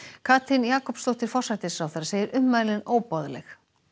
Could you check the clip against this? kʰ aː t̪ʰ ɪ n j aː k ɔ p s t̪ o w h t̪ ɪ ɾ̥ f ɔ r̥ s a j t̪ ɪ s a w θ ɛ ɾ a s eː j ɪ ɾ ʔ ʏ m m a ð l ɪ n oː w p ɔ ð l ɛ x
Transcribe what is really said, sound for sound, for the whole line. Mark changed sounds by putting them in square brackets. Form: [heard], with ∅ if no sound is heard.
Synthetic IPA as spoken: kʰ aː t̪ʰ ɪ n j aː k ɔ p s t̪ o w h t̪ ɪ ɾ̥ f ɔ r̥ s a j t̪ ɪ s a w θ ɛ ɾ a s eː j ɪ ɾ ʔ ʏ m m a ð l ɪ n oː w p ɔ ð l ɛ x